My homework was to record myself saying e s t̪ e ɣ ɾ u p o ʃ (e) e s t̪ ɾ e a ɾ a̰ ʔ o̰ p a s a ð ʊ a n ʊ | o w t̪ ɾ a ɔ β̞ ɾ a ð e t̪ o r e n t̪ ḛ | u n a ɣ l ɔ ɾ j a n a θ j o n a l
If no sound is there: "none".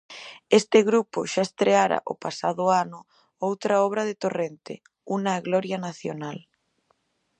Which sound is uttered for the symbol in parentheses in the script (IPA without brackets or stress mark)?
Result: a